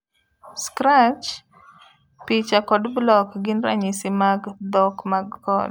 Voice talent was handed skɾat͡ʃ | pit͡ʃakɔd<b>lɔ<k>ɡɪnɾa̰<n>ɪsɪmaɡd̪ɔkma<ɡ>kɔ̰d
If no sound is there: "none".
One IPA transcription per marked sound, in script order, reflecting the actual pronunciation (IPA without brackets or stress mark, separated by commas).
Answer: b, k, ɲ, ɡ